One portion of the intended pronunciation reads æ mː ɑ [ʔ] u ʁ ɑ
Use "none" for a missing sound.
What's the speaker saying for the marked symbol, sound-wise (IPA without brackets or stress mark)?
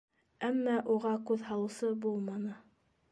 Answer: ʔ